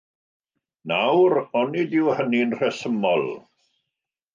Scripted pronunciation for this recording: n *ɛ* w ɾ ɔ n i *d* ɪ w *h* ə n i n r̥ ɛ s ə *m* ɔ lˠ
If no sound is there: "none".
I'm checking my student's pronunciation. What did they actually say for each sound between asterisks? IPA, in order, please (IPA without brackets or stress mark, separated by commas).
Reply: a, d, h, m